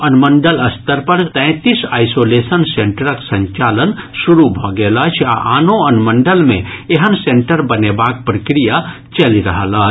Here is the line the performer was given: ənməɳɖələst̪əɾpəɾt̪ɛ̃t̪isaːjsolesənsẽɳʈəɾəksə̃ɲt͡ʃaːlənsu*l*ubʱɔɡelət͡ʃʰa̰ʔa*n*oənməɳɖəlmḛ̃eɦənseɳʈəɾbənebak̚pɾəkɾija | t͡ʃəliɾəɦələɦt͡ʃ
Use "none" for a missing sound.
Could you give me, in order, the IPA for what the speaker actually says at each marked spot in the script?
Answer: ɾ, n

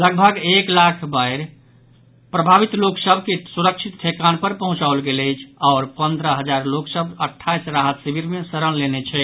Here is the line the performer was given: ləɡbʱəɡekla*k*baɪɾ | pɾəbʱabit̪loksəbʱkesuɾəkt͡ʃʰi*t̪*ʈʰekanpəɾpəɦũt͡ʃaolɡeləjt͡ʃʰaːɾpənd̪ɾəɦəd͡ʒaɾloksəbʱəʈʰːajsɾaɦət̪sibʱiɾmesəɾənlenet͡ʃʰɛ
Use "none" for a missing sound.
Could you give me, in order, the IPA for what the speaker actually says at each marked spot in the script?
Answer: kʰ, t̪

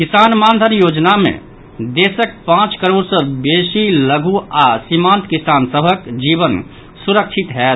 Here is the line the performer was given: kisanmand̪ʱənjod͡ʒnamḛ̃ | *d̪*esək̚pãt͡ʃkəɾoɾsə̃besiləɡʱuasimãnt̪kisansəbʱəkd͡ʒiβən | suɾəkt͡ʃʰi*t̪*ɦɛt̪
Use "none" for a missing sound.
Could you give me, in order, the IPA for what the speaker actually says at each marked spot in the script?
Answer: d̪, t̪

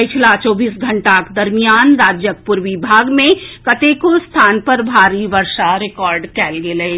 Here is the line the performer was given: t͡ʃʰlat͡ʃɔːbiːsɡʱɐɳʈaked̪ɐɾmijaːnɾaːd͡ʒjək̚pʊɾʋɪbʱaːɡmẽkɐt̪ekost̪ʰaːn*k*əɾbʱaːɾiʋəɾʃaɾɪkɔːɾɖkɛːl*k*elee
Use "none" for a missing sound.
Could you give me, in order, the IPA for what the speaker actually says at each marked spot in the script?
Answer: p, ɡ

